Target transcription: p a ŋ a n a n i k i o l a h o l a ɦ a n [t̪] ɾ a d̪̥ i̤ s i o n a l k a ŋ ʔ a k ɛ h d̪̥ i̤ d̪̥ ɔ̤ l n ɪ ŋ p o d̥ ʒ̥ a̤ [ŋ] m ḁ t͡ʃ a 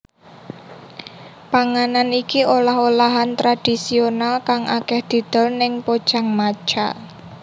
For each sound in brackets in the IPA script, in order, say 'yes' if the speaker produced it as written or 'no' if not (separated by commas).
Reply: yes, yes